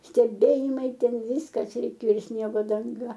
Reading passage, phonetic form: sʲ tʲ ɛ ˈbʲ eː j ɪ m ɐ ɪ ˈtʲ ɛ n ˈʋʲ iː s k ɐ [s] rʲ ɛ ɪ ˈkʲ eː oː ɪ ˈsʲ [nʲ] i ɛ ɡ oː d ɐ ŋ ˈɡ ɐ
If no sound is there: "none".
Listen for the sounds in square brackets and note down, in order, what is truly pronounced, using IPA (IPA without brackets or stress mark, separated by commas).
s, nʲ